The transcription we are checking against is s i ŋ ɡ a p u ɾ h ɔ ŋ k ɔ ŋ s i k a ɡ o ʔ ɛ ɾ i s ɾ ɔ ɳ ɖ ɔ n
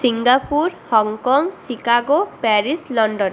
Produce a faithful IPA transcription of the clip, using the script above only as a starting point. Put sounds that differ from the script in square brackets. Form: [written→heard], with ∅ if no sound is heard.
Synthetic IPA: s i ŋ ɡ a p u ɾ h ɔ ŋ k ɔ ŋ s i k a ɡ o [ʔ→p] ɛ ɾ i s [ɾ→l] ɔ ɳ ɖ ɔ n